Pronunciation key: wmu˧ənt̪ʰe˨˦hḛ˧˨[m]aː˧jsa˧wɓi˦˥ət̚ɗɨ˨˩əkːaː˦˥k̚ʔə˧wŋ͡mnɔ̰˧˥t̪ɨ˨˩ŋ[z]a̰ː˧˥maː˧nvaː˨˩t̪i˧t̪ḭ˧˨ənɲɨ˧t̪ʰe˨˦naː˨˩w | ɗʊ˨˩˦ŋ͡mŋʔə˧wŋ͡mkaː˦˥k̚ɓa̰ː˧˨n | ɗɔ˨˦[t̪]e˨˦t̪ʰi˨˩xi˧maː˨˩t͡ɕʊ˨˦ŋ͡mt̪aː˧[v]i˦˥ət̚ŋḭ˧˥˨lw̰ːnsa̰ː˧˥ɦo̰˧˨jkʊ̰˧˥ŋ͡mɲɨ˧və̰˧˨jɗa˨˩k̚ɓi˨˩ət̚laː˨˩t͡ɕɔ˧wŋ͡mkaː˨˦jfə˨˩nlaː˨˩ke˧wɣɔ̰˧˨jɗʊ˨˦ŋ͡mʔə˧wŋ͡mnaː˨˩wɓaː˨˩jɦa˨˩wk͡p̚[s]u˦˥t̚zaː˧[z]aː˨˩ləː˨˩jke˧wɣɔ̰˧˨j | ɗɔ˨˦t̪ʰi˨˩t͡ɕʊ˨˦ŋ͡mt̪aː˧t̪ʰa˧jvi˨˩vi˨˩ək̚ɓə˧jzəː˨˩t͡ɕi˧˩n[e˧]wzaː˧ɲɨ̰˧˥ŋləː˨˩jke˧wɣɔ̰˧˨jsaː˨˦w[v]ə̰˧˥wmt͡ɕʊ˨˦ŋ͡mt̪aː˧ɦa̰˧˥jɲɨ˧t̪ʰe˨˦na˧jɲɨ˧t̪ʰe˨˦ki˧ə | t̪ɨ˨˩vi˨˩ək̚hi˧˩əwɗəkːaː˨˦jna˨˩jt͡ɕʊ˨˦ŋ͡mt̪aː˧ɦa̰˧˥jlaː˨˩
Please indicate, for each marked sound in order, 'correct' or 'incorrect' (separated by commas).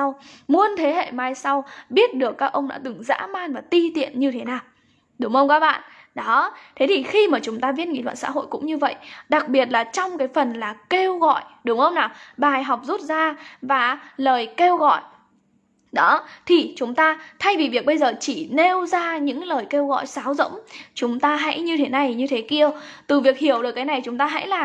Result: correct, correct, incorrect, correct, incorrect, incorrect, correct, incorrect